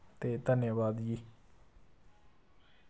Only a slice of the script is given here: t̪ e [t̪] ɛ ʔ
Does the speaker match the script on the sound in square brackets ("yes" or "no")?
yes